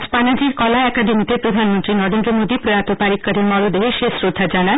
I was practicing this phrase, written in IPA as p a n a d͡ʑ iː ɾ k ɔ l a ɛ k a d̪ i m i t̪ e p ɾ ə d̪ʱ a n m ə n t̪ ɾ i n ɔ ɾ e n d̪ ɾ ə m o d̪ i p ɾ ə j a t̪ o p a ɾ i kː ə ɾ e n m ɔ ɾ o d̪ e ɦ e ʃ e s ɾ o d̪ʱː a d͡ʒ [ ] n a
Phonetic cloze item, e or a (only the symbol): a